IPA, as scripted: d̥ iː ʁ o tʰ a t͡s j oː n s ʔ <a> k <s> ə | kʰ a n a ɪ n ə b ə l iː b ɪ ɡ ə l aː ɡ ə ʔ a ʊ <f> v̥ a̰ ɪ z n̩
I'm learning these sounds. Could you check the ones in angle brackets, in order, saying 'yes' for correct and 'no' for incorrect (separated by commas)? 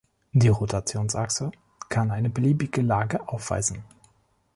yes, yes, yes